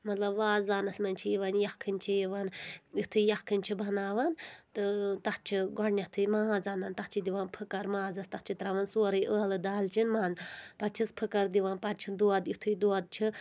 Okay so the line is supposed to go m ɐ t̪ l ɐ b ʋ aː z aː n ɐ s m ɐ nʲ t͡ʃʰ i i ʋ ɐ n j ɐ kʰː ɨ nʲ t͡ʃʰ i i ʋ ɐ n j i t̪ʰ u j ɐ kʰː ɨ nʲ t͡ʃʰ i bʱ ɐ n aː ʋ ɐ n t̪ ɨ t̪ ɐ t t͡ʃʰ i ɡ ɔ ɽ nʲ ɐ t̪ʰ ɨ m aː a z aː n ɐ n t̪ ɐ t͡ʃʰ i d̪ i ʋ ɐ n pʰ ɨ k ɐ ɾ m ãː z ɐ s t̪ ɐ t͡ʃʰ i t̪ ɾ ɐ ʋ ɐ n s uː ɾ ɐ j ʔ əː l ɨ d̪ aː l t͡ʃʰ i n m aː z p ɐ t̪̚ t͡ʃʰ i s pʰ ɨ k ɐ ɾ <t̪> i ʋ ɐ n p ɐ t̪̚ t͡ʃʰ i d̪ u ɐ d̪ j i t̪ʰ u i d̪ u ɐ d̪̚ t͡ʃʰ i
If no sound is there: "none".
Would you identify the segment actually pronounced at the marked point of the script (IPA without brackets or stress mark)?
d̪